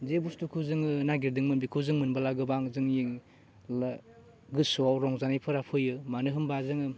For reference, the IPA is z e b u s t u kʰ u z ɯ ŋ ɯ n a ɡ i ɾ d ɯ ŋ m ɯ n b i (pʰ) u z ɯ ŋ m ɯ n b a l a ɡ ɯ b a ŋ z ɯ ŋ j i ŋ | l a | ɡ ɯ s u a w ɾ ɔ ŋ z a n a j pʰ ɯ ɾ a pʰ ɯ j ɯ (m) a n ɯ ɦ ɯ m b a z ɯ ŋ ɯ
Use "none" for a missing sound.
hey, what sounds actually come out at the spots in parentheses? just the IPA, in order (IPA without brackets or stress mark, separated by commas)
kʰ, m